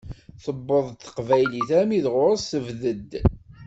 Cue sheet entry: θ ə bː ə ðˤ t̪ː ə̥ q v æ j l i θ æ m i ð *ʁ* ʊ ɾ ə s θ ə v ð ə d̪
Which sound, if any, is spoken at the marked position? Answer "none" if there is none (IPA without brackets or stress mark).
ʁ